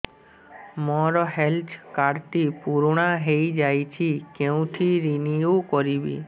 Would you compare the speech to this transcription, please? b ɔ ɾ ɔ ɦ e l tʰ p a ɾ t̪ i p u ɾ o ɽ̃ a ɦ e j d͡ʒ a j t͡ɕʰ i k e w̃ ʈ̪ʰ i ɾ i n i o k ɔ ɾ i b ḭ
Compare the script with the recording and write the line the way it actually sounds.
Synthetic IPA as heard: m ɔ ɾ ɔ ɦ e l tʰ k a ɾ t̪ i p u ɾ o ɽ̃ a ɦ e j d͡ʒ a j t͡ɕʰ i k e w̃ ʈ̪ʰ i ɾ i n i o k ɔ ɾ i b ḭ